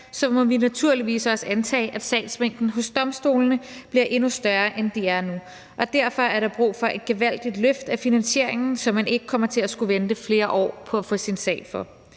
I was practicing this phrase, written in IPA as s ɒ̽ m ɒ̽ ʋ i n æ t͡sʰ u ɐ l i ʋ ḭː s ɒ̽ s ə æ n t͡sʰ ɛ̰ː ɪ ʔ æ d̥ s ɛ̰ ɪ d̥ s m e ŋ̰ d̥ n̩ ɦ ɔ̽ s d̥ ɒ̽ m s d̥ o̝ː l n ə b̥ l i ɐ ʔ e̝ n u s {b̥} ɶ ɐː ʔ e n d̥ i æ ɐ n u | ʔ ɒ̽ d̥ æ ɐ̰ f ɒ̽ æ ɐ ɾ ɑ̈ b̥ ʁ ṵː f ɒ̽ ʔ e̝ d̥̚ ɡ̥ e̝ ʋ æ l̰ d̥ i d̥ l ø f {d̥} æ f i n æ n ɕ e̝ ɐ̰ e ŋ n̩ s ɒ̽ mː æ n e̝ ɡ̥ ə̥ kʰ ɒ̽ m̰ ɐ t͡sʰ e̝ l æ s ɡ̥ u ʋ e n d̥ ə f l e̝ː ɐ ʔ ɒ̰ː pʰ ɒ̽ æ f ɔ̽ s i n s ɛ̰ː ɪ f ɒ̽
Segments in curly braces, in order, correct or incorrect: incorrect: d̥, correct

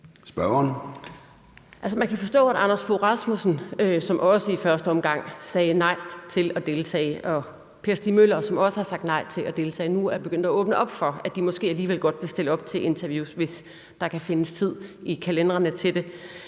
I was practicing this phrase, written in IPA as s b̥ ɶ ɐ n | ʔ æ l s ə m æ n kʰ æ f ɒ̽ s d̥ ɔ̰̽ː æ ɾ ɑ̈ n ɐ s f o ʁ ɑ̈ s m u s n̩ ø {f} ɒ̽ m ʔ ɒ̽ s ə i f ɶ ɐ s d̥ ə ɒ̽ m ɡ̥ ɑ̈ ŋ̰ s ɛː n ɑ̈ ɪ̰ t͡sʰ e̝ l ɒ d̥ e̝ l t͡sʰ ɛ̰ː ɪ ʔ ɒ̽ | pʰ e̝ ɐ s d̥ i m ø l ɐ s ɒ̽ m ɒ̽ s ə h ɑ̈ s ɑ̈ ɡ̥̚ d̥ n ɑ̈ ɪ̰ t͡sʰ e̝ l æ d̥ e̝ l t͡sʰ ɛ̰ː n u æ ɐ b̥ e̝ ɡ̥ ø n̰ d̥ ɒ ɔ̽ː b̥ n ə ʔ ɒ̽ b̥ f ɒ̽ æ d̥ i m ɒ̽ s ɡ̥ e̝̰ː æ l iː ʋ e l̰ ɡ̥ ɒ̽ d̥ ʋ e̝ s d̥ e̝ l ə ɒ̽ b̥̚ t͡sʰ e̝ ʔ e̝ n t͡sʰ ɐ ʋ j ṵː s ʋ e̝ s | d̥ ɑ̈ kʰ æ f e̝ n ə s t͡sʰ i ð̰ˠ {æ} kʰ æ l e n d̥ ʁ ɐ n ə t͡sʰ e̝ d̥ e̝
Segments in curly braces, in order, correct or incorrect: incorrect: s, incorrect: i

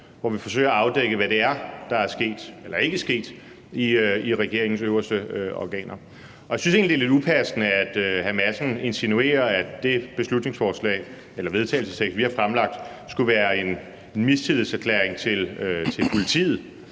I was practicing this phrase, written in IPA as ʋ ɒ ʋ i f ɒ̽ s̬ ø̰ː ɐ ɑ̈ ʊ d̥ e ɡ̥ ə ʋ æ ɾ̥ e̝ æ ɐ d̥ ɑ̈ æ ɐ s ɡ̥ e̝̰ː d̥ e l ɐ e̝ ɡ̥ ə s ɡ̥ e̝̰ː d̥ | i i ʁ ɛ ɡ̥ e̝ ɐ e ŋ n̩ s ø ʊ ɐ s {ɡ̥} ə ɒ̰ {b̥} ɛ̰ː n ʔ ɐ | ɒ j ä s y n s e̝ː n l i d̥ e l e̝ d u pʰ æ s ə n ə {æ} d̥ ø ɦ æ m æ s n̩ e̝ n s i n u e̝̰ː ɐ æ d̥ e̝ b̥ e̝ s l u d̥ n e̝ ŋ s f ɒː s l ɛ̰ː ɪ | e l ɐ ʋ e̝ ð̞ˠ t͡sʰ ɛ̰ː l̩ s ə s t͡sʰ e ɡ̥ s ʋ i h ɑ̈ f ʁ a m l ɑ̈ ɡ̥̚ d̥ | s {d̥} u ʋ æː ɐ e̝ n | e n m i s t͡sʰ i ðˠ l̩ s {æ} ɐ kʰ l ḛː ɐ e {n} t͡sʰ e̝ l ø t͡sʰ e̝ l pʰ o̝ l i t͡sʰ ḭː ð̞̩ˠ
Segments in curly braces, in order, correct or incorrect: incorrect: d̥, incorrect: ɡ̥, correct, incorrect: ɡ̥, correct, incorrect: ŋ

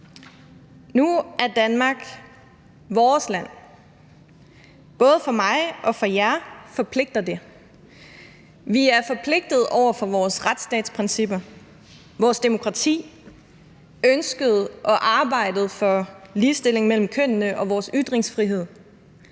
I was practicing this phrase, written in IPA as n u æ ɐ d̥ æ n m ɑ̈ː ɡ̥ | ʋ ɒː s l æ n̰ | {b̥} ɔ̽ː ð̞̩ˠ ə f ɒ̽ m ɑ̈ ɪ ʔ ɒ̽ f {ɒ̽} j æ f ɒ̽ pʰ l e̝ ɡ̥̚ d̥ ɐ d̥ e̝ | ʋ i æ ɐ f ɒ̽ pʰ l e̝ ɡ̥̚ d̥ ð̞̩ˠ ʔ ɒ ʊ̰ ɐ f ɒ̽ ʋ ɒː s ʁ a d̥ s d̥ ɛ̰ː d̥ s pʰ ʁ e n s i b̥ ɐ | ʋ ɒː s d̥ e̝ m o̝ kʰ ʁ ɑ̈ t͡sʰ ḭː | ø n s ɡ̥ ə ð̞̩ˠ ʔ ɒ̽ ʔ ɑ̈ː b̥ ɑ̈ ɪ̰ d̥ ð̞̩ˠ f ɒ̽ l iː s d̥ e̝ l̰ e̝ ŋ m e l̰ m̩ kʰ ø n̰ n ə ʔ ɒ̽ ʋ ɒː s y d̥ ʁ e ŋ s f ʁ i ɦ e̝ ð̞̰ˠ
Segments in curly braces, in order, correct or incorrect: correct, correct

